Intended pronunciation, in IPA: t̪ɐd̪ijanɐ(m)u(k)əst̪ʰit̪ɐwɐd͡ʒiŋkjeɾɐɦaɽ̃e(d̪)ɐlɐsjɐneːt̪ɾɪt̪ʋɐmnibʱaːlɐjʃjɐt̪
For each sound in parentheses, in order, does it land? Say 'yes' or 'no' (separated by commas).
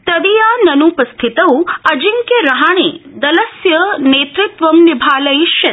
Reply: no, no, yes